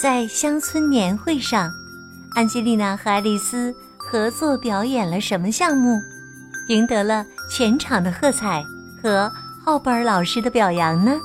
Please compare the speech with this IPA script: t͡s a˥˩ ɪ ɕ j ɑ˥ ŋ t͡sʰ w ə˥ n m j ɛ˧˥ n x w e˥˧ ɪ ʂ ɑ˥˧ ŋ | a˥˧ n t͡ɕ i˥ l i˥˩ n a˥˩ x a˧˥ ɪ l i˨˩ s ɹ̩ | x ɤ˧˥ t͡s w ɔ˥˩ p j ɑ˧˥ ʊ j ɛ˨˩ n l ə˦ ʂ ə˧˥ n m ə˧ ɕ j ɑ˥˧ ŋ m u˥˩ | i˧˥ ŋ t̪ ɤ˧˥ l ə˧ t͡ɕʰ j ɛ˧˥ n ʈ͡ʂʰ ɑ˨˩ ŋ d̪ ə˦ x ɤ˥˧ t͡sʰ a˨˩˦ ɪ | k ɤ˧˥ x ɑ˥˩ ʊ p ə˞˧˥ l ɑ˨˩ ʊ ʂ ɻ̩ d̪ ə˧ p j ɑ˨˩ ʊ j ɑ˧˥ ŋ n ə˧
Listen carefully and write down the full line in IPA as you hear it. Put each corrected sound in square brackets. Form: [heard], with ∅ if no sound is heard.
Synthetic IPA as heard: t͡s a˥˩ ɪ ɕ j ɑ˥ ŋ t͡sʰ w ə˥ n [n] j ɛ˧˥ n x w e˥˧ ɪ ʂ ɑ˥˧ ŋ | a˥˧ n t͡ɕ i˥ l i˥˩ n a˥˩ x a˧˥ ɪ l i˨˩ s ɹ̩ | x ɤ˧˥ t͡s w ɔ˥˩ p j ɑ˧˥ ʊ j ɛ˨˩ n l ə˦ ʂ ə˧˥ n m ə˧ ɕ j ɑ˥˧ ŋ m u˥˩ | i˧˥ ŋ t̪ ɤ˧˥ l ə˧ t͡ɕʰ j ɛ˧˥ n ʈ͡ʂʰ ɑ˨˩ ŋ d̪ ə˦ x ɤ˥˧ t͡sʰ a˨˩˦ ɪ | [x] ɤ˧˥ x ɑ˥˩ ʊ p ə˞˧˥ l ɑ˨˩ ʊ ʂ ɻ̩ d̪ ə˧ p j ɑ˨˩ ʊ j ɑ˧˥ ŋ n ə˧